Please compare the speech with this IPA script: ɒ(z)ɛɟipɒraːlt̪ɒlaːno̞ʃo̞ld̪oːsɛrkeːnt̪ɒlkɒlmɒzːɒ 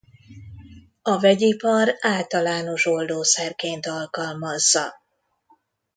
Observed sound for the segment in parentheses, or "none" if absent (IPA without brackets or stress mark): v